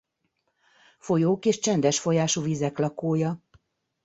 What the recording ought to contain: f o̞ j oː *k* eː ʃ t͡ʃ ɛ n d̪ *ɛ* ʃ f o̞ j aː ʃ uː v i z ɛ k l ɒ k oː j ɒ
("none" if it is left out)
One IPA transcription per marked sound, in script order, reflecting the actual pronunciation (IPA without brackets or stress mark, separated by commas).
k, ɛ